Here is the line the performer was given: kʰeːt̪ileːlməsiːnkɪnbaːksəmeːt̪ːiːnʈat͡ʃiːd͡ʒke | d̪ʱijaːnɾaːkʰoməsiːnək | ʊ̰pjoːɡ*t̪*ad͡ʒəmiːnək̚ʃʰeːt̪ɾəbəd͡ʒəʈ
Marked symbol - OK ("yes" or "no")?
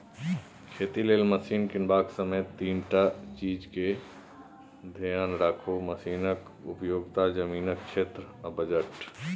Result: yes